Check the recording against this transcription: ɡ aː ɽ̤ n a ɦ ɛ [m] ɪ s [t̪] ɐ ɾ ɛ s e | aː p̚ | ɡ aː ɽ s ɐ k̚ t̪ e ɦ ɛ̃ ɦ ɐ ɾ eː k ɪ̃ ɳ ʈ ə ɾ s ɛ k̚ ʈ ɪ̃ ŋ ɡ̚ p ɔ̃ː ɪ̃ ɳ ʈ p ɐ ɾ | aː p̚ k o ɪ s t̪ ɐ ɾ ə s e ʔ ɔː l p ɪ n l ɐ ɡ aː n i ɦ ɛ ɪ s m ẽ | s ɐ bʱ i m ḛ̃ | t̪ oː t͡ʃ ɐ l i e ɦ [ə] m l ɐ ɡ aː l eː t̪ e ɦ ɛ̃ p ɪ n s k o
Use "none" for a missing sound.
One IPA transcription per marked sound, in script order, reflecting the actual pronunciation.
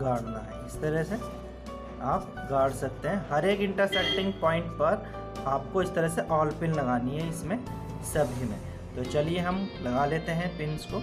none, t̪, ɐ

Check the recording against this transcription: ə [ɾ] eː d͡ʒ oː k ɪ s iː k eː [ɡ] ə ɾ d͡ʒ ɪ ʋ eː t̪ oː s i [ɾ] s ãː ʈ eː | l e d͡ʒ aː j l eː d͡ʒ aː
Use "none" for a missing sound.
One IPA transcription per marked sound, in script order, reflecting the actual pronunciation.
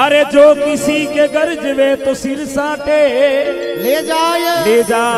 ɾ, ɡ, ɾ

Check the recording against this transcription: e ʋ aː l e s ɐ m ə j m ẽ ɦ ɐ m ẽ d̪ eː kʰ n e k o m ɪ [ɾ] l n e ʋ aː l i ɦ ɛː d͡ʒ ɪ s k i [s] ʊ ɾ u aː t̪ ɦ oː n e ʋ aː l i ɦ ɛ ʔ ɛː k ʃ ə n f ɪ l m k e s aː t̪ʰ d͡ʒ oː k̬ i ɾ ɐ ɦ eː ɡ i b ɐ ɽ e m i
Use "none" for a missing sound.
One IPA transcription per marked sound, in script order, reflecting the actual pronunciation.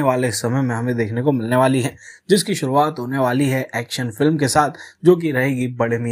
none, ʃ

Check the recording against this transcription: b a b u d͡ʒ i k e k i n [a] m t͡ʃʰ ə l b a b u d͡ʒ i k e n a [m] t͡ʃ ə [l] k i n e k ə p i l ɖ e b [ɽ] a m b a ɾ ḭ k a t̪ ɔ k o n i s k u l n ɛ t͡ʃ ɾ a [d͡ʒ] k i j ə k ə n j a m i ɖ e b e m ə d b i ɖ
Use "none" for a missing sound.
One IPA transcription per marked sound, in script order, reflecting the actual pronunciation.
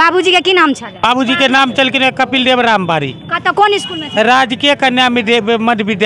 a, m, l, ɾ, d͡ʒ

